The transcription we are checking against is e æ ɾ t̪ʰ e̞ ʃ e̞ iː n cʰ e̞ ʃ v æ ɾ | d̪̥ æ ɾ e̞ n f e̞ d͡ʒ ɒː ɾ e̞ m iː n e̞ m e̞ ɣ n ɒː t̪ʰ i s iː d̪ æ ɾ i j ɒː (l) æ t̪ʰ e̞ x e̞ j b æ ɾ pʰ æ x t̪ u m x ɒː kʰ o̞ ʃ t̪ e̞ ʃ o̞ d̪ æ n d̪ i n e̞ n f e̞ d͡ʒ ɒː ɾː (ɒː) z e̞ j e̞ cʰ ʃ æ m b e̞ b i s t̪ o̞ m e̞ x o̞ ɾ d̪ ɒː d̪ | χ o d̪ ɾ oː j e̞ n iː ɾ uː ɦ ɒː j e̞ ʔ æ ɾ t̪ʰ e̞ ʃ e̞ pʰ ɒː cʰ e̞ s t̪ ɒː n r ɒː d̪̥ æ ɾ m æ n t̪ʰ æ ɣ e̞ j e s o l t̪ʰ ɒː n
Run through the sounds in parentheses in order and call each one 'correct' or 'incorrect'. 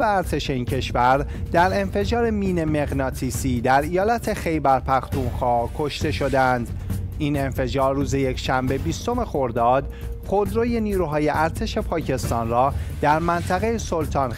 correct, incorrect: uː

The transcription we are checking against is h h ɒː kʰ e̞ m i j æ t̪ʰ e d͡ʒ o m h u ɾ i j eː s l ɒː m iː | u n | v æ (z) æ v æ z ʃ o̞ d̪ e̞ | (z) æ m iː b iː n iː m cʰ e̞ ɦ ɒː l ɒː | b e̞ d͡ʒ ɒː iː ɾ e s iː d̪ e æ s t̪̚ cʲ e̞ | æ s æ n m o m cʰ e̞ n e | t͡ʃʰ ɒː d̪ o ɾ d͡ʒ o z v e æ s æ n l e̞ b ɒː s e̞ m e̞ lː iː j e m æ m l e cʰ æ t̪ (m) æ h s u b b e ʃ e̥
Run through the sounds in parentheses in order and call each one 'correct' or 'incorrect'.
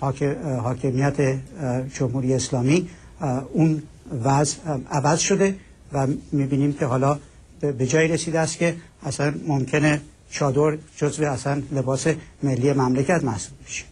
correct, incorrect: v, correct

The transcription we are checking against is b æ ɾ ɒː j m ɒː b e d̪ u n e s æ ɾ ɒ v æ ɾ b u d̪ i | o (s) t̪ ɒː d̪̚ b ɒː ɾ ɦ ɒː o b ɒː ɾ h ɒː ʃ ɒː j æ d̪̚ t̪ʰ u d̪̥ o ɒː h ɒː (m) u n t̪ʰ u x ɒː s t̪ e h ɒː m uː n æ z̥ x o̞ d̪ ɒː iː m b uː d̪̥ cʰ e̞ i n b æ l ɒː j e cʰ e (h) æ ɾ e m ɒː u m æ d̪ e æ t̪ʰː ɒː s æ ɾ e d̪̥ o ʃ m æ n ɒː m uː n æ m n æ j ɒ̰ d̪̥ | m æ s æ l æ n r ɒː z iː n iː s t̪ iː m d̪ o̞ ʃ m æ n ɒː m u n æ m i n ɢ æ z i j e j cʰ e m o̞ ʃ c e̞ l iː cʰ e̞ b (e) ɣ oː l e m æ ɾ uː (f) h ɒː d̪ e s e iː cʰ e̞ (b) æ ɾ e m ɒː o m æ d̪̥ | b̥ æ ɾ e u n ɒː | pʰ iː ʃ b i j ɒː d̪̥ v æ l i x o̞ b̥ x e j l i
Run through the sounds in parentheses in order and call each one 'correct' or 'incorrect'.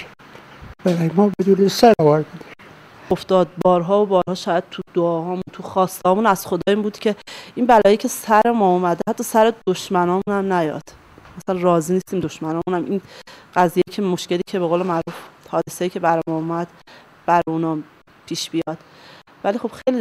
incorrect: f, correct, incorrect: s, correct, correct, correct

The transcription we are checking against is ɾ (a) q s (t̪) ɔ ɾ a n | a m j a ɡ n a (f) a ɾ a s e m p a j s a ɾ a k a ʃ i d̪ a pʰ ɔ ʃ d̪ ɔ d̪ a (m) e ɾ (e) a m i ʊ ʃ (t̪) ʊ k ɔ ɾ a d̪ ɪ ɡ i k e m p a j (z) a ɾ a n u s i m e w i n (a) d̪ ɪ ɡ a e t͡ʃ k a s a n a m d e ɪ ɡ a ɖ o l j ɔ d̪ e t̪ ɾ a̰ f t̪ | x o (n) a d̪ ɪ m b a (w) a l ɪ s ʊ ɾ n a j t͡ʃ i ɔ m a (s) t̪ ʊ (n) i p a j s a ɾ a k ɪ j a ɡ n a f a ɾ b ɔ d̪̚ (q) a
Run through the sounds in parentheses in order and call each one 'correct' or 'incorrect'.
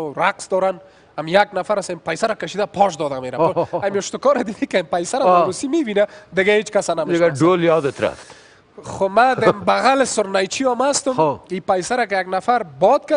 correct, incorrect: d̪, correct, correct, incorrect: a, correct, incorrect: s, correct, incorrect: m, incorrect: ɣ, correct, incorrect: m, incorrect: k

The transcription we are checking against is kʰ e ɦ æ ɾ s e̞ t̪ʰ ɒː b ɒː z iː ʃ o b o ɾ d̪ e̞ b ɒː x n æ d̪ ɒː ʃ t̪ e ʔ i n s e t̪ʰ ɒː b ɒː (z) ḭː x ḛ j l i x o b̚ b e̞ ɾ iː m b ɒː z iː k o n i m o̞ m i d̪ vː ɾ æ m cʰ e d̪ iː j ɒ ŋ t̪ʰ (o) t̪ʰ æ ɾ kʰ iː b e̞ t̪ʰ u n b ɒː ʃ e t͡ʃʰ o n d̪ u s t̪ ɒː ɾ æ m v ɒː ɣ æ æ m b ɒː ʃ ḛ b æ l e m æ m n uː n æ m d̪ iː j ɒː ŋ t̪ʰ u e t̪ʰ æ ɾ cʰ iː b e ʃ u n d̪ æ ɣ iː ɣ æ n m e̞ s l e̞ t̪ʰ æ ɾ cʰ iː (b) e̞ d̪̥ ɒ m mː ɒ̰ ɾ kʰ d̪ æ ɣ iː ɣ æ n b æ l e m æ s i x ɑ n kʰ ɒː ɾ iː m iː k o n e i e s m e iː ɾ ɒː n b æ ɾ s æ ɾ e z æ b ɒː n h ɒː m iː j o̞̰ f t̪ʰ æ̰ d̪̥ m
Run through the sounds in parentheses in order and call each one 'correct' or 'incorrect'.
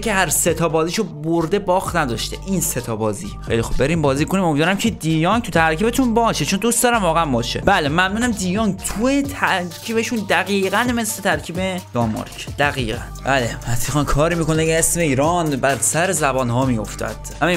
correct, incorrect: u, correct

